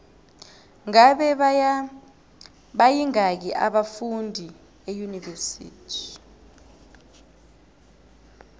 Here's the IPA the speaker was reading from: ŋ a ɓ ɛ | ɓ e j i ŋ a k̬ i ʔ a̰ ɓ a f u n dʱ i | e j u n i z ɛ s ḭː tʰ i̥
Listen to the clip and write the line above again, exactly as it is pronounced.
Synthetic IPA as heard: ŋ a ɓ ɛ | ɓ a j i ŋ a k̬ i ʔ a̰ ɓ a f u n dʱ i | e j u n i v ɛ s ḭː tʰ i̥